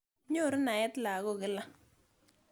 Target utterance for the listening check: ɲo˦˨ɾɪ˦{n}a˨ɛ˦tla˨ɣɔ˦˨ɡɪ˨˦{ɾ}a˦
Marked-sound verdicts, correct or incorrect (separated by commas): correct, incorrect